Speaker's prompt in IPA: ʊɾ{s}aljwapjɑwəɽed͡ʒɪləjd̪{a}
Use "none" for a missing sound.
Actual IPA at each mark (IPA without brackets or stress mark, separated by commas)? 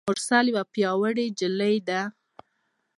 s, a